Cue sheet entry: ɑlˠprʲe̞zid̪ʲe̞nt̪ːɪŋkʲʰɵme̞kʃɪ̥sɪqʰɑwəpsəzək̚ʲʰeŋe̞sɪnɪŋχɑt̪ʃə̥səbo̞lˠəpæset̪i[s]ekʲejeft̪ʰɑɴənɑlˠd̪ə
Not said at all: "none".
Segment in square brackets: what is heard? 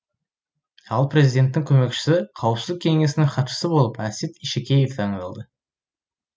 ʃ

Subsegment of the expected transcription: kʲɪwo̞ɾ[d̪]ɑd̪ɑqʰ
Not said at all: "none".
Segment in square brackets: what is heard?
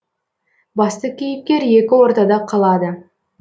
t̪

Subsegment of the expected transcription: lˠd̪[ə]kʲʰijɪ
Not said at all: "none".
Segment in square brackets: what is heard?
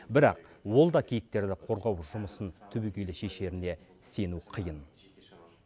ɑ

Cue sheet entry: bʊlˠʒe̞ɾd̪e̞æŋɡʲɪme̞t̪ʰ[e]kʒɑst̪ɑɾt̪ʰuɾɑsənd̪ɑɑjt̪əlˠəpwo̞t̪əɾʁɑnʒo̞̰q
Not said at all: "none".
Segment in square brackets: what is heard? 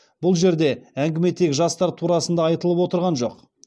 e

